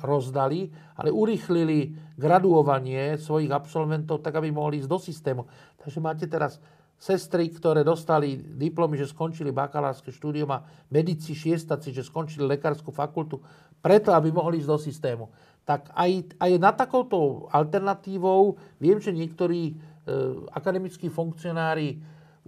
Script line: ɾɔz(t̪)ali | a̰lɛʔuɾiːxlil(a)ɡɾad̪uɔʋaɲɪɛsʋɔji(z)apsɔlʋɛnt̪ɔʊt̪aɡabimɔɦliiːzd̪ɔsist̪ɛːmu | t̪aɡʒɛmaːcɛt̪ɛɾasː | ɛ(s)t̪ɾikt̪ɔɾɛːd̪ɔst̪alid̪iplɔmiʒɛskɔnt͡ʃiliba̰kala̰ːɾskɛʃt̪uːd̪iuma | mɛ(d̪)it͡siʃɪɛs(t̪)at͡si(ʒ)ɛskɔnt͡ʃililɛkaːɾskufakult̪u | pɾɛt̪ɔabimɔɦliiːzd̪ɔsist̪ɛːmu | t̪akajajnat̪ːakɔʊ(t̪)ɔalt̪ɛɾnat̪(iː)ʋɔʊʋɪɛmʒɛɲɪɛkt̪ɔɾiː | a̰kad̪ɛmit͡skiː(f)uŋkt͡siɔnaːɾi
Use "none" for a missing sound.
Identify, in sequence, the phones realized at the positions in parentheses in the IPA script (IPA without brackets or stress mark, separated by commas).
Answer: d̪, i, ɣ, s, d̪, t̪, ʒ, t̪, iː, f